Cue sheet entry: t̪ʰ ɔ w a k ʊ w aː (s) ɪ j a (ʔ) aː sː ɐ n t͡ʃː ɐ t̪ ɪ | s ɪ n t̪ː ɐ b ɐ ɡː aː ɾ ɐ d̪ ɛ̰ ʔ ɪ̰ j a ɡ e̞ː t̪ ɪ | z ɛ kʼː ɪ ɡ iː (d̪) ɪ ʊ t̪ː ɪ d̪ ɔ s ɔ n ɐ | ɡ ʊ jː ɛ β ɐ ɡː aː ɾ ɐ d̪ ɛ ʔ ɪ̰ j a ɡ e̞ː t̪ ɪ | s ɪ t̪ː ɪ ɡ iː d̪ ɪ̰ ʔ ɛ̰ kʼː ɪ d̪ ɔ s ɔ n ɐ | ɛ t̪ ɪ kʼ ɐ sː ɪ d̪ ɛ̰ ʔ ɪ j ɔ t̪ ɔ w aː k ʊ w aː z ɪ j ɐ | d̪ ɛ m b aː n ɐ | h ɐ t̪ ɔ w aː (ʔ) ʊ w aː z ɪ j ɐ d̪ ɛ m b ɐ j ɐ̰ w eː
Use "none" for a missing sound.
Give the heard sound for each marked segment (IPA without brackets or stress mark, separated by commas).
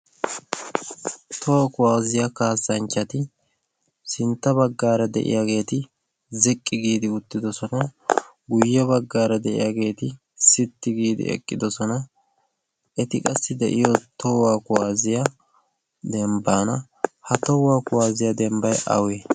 z, k, d̪, k